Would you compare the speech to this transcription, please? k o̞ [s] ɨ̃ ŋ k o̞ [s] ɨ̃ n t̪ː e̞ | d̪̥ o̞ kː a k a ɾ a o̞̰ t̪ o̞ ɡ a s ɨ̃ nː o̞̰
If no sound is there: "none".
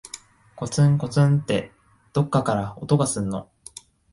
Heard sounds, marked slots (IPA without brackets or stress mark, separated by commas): t͡s, t͡s